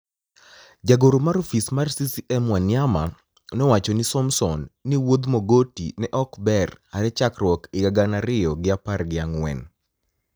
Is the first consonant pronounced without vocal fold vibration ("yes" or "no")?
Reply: no